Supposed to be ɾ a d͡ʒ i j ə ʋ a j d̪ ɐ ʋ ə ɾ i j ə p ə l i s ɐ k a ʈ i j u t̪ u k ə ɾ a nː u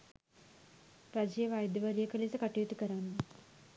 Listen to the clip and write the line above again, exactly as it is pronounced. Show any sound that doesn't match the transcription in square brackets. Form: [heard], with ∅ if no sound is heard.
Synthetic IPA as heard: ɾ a d͡ʒ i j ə ʋ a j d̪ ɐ ʋ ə ɾ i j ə [k] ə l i s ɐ k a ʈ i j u t̪ u k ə ɾ a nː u